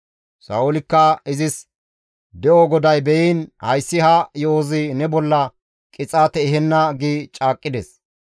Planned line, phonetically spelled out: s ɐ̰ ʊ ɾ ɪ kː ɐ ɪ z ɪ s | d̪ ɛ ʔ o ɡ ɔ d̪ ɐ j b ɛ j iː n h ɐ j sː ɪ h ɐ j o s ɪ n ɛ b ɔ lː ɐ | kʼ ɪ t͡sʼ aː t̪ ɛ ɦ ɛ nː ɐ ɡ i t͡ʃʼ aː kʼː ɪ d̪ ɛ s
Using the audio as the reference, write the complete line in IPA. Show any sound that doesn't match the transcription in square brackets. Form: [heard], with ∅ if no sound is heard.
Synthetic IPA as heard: s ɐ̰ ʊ [l] ɪ kː ɐ ɪ z ɪ s | d̪ ɛ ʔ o ɡ ɔ d̪ ɐ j b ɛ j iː n h ɐ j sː ɪ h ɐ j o [z] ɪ n ɛ b ɔ lː ɐ | kʼ ɪ t͡sʼ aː t̪ ɛ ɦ ɛ nː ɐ ɡ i t͡ʃʼ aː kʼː ɪ d̪ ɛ s